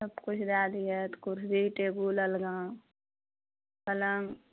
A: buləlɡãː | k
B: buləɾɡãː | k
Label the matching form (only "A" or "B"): A